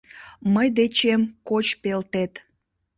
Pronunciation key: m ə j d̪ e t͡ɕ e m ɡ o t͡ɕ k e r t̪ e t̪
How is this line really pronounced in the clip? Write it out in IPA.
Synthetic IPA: m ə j d̪ e t͡ɕ e m k o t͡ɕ p e l t̪ e t̪

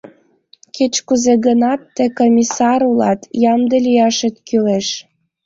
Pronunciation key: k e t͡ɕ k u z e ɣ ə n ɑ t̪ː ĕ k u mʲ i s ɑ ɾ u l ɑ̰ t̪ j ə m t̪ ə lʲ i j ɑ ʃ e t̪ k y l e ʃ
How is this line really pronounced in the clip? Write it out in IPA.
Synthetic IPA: k e t͡ɕ k u z e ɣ ə n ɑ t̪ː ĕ k o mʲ i s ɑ ɾ u l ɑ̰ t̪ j ɑ m d̪ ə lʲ i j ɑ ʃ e t̪ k y l e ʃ

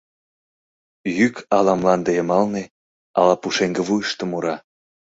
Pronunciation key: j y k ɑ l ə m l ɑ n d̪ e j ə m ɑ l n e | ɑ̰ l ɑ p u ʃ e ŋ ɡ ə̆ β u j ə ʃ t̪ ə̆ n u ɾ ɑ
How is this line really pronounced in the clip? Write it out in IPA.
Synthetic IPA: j y k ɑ l ɑ m l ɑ n d̪ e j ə m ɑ l n e | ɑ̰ l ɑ p u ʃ e ŋ ɡ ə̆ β u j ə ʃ t̪ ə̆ m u ɾ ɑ

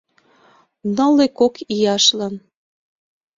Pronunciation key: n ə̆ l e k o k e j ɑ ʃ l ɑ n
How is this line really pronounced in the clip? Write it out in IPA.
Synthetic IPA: n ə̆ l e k o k i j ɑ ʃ l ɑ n

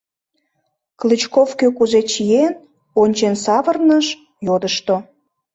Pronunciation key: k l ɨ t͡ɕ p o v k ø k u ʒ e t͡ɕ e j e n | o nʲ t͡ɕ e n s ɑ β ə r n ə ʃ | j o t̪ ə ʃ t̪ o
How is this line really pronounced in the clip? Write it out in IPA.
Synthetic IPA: k l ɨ t͡ɕ k o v k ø k u z e t͡ɕ i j e n | o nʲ t͡ɕ e n s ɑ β ə r n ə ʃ | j o d̪ ə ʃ t̪ o

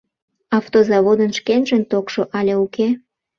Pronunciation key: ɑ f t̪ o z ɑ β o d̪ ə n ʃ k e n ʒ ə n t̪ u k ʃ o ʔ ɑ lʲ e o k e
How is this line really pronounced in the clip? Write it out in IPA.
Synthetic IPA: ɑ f t̪ o z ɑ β o d̪ ə n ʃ k e n ʒ ə n t̪ o k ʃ o ʔ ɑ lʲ e u k e

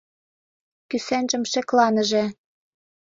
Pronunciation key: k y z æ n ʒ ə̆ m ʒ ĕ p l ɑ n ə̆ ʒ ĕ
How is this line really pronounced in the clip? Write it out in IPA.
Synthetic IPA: k y s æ n ʒ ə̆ m ʃ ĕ k l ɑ n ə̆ ʒ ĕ

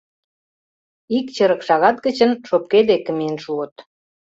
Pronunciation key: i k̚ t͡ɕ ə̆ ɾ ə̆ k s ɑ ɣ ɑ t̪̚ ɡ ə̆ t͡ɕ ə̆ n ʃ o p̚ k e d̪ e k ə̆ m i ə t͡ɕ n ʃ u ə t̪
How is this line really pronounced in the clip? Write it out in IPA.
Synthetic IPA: i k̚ t͡ɕ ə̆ ɾ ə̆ k ʃ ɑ ɣ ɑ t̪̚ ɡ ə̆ t͡ɕ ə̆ n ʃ o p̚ k e d̪ e k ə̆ m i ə n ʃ u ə t̪

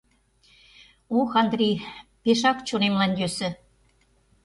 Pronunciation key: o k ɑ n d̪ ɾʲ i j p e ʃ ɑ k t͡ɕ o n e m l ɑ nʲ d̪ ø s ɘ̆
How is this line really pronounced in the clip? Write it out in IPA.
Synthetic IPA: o x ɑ n d̪ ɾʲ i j p e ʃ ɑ k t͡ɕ o n e m l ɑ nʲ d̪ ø s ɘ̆

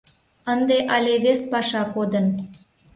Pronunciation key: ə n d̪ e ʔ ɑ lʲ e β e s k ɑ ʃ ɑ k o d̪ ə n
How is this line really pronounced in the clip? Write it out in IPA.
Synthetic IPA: ə n d̪ e ʔ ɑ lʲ e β e s p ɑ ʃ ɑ k o d̪ ə n

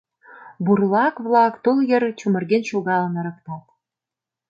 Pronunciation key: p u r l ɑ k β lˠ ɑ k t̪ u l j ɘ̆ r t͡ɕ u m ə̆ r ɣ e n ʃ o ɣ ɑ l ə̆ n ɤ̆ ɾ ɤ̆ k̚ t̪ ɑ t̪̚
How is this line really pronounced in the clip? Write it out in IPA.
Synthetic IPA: b u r l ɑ k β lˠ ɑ k t̪ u l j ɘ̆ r t͡ɕ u m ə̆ r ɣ e n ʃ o ɣ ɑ l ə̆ n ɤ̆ ɾ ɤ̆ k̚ t̪ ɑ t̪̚

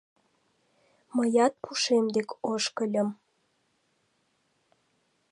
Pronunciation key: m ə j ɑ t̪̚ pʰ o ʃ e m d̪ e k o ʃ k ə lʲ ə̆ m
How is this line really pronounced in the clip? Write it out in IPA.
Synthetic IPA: m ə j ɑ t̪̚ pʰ u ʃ e m d̪ e k o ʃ k ə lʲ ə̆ m

